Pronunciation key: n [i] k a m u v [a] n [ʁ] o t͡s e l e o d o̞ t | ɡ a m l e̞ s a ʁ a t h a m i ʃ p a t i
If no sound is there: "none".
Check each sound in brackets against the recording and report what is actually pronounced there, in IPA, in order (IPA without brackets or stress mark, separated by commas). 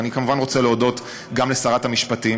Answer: i, a, ʁ